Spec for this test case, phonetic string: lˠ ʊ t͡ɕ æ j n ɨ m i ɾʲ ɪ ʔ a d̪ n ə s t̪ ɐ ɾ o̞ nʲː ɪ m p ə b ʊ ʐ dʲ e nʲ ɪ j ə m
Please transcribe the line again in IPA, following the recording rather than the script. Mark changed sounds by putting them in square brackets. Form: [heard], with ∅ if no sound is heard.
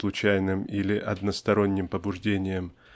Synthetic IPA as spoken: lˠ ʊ t͡ɕ æ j n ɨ m i [lʲ] ɪ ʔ [ɐ] d̪ n ə s t̪ ɐ ɾ o̞ nʲː ɪ m p ə b ʊ ʐ dʲ e nʲ ɪ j ə m